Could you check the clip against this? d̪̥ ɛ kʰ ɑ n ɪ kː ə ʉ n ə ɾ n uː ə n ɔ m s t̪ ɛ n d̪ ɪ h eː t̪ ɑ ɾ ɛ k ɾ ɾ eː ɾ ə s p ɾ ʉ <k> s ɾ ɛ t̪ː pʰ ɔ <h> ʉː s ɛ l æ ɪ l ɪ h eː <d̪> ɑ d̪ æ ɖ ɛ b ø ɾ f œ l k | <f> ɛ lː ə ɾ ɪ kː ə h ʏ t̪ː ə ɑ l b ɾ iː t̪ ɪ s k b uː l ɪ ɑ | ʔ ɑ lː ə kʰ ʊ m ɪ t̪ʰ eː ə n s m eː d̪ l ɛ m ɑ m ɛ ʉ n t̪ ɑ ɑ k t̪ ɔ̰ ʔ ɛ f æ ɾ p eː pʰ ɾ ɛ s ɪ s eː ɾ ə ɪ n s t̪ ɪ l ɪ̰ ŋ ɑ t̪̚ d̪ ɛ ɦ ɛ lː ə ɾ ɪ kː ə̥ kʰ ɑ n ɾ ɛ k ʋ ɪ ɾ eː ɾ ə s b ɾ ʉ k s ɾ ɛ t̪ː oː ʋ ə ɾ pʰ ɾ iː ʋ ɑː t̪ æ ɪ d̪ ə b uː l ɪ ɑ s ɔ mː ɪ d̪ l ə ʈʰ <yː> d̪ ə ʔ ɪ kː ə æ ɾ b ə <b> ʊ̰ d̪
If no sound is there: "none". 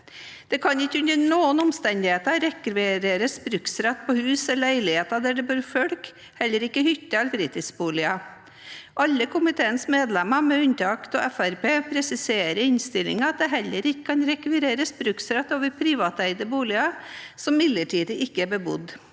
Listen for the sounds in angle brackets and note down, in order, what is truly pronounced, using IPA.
k, h, t̪, h, iː, b

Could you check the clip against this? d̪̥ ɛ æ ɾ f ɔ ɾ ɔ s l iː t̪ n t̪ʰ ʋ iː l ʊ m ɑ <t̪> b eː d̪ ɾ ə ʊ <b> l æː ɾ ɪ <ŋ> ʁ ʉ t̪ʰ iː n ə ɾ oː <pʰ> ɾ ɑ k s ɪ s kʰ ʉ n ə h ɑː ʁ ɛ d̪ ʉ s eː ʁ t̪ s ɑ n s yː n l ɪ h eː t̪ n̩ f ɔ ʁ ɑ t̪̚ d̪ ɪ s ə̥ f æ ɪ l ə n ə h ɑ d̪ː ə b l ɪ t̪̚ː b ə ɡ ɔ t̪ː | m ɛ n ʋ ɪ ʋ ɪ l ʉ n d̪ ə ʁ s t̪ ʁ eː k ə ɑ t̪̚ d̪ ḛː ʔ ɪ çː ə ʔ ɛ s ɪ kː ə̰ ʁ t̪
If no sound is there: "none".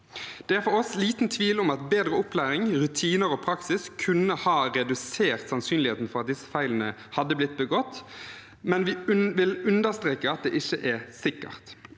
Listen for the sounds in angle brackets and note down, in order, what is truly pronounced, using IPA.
t̪, p, ŋ, pʰ

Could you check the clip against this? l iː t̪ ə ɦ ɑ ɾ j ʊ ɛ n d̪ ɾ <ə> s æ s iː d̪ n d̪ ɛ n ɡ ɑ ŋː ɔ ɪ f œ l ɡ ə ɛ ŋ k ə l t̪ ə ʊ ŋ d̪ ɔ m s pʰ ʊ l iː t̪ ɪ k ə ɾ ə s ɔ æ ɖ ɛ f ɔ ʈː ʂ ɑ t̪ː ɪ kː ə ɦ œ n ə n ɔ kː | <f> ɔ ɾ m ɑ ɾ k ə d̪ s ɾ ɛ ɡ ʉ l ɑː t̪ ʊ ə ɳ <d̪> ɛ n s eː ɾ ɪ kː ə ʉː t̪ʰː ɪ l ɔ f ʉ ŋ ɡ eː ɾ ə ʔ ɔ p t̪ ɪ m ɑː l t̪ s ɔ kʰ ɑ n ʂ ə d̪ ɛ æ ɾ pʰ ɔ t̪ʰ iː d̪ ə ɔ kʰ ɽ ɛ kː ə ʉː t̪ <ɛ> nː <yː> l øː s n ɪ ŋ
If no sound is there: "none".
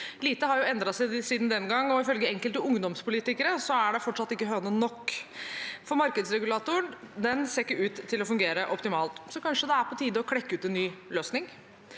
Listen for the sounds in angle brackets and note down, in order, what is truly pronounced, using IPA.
ɑ, f, d̪, ɛ, yː

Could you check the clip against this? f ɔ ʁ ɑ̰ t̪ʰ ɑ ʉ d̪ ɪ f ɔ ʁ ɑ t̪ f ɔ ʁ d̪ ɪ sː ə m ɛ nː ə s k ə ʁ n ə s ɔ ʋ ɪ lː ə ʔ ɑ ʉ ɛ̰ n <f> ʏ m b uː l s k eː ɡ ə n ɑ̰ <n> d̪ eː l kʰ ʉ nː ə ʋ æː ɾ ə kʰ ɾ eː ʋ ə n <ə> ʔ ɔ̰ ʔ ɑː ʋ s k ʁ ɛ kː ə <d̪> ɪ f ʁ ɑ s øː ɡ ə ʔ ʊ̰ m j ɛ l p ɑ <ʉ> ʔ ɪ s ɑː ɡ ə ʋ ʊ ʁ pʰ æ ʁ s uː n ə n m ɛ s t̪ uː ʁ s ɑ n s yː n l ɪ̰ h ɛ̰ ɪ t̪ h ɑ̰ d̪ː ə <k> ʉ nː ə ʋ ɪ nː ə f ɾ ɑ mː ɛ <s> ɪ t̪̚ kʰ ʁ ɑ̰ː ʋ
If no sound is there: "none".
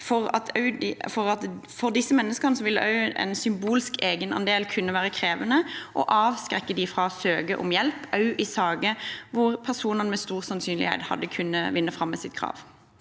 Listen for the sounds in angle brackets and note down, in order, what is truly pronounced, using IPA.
s, n, ə, d̪, ʉ, kʰ, s

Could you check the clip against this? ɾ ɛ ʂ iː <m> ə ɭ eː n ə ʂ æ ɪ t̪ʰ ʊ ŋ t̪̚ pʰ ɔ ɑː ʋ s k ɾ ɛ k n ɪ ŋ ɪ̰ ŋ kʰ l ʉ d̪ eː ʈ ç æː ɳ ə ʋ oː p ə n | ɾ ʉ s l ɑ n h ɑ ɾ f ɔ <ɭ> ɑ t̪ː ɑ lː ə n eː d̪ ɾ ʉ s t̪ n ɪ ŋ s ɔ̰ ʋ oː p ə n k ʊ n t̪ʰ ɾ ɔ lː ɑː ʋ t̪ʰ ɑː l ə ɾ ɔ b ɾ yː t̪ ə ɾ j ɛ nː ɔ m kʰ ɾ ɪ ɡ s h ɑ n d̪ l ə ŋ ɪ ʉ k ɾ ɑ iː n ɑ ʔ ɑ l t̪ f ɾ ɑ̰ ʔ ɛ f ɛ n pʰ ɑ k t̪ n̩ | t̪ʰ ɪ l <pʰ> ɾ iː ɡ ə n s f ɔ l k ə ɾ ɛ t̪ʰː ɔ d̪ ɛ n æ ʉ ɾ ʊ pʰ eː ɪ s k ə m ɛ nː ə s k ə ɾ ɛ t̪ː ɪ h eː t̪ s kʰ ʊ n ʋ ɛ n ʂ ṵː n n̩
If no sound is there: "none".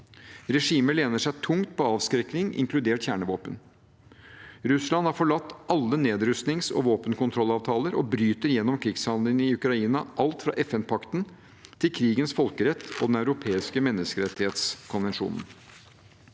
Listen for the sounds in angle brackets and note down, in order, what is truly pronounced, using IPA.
m, ɭ, kʰ

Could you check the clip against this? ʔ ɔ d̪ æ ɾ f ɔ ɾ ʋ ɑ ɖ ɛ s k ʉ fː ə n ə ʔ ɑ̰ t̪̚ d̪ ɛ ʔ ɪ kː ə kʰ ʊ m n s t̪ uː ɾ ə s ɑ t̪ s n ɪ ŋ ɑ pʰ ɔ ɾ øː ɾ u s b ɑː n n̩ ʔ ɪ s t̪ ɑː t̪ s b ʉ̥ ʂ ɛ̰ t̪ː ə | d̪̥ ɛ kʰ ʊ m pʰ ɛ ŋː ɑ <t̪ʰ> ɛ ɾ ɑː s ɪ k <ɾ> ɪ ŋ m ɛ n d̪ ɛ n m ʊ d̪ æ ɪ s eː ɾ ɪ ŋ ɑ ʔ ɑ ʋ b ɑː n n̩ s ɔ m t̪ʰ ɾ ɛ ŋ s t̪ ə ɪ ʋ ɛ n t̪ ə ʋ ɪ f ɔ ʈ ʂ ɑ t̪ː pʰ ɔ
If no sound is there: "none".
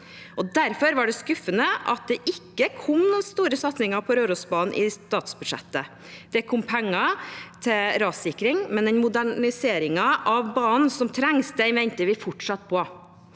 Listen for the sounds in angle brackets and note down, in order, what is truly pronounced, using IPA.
t̪ʰ, ɾ

